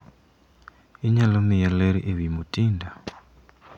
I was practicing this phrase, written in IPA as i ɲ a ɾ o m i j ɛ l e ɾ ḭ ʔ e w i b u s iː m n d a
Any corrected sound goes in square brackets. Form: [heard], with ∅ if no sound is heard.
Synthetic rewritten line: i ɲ a [l] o m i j [a] l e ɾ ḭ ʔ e [β] i [m] u [t] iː [∅] n d a